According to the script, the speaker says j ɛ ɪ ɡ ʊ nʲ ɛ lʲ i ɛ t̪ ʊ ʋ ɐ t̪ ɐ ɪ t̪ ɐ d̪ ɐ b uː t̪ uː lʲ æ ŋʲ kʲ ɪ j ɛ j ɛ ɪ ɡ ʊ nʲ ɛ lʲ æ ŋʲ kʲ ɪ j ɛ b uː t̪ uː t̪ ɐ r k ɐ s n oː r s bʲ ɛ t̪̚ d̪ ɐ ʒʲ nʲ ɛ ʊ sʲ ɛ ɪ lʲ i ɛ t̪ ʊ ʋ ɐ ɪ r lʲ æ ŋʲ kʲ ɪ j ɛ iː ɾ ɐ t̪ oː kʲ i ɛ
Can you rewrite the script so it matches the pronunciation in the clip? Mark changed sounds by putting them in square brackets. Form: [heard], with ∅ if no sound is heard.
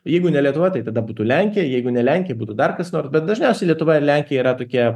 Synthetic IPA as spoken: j ɛ ɪ ɡ ʊ nʲ ɛ lʲ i ɛ t̪ ʊ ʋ ɐ t̪ ɐ ɪ t̪ ɐ d̪ ɐ b uː t̪ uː lʲ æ ŋʲ kʲ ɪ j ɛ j ɛ ɪ ɡ ʊ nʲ ɛ lʲ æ ŋʲ kʲ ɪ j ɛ b uː t̪ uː [d̪] ɐ r k ɐ s n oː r s bʲ ɛ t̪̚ d̪ ɐ ʒʲ nʲ ɛ ʊ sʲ ɛ ɪ lʲ i ɛ t̪ ʊ ʋ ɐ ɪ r lʲ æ ŋʲ kʲ ɪ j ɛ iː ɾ ɐ t̪ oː kʲ i ɛ